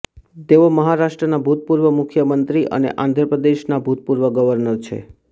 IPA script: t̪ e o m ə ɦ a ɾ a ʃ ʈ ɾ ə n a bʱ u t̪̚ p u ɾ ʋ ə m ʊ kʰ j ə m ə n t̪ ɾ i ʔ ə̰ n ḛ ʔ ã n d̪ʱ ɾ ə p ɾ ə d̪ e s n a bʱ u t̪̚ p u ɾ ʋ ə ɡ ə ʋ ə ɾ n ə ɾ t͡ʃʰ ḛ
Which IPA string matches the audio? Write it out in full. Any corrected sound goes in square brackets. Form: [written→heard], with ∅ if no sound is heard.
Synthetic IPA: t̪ e o m ə ɦ a ɾ a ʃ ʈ ɾ ə n a bʱ u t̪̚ p u ɾ ʋ ə m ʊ kʰ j ə m ə n t̪ ɾ i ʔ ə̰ n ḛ ʔ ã n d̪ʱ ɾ ə p ɾ ə d̪ e [s→ʃ] n a bʱ u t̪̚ p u ɾ ʋ ə ɡ ə ʋ ə ɾ n ə ɾ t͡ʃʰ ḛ